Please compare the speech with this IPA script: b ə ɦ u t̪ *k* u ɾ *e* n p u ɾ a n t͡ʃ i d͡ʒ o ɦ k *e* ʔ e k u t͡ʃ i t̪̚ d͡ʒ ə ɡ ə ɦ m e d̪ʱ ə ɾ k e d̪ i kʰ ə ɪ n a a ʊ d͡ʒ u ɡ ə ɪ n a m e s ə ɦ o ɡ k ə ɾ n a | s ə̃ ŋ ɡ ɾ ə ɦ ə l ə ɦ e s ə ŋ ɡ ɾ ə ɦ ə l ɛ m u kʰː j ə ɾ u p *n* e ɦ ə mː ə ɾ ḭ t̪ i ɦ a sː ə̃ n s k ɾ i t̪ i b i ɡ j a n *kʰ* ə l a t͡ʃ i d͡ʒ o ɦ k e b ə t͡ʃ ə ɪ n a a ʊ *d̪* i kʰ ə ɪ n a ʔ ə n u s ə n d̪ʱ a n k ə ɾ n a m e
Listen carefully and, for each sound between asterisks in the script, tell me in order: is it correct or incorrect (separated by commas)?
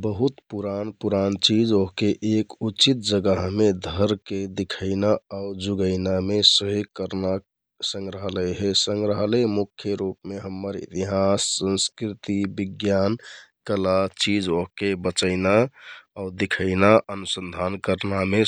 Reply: incorrect, incorrect, correct, incorrect, incorrect, correct